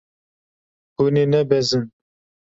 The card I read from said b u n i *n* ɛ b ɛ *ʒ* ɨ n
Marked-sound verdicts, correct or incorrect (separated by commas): correct, incorrect